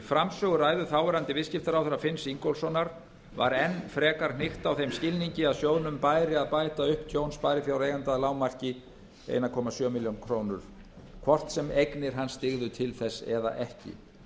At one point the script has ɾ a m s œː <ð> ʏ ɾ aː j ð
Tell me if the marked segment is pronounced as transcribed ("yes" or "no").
no